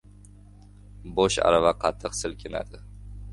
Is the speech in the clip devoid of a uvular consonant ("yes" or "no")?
no